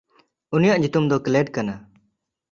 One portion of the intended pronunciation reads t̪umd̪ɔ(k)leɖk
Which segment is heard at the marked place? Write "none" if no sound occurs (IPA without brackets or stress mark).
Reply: k